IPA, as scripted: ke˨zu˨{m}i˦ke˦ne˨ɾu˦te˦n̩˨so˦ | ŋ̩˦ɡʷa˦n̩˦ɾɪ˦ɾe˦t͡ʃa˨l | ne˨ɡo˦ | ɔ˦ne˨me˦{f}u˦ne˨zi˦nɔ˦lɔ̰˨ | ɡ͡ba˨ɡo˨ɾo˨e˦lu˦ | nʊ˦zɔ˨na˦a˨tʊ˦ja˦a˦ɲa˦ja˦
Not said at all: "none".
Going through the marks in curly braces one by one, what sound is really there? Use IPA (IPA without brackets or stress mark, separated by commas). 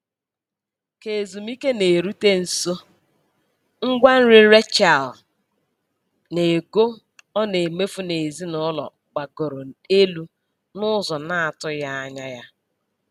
m, f